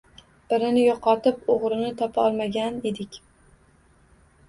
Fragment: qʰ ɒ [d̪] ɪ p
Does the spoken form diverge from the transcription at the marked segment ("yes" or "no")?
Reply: yes